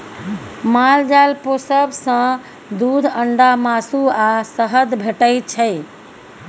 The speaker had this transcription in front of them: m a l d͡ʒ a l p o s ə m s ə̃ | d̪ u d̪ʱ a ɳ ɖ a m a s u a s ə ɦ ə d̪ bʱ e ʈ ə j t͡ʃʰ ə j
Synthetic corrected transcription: m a l d͡ʒ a l p o s ə b s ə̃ | d̪ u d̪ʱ ə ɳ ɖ a m a s u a s ə ɦ ə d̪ bʱ e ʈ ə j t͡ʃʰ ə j